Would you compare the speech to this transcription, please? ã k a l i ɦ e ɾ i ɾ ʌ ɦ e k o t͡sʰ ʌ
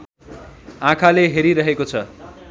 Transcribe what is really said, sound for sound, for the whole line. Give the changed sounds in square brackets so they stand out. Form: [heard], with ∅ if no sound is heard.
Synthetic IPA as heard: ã [kʰ] a l [e] ɦ e ɾ i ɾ ʌ ɦ e k o t͡sʰ ʌ